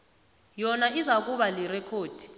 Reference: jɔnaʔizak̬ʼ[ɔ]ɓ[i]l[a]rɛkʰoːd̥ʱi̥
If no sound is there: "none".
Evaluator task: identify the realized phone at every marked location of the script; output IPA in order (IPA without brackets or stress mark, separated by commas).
u, a, i